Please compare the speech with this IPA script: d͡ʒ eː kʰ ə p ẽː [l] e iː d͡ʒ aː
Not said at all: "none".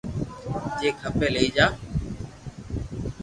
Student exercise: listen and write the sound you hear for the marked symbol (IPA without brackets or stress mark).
l